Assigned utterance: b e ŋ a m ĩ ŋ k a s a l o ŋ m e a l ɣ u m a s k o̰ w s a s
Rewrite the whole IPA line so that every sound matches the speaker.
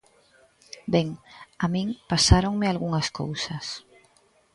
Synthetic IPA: b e ŋ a m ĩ ŋ p a s a ɾ o ŋ m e a l ɣ u ŋ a s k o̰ w s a s